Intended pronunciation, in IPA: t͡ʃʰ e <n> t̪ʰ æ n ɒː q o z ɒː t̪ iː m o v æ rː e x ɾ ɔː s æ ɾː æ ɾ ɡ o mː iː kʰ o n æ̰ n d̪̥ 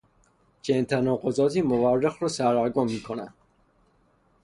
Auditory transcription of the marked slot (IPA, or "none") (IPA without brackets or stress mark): n